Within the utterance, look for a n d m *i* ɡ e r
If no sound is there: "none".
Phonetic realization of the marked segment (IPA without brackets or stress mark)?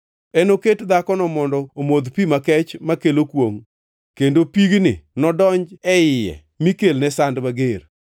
a